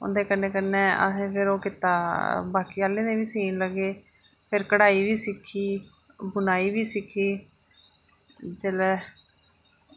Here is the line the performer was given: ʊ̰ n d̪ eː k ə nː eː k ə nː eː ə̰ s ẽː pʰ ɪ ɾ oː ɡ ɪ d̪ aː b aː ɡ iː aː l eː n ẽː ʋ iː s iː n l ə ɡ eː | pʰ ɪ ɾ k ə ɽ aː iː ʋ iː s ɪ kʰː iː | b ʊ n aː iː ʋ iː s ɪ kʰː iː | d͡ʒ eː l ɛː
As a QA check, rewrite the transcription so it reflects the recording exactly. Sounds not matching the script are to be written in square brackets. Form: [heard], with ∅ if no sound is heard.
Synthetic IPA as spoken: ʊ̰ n d̪ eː k ə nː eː k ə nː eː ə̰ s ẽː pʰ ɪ ɾ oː [k] ɪ [t̪] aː b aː [k] iː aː l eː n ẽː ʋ iː s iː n l ə ɡ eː | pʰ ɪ ɾ k ə ɽ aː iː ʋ iː s ɪ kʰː iː | b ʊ n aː iː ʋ iː s ɪ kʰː iː | d͡ʒ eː l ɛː